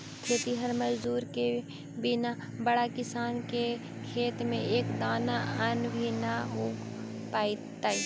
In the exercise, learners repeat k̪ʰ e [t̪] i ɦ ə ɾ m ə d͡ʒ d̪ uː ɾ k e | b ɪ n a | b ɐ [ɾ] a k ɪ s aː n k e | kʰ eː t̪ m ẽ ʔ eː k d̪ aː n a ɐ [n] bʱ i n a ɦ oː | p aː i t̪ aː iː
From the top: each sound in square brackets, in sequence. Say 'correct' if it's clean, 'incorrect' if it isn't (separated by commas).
correct, incorrect, correct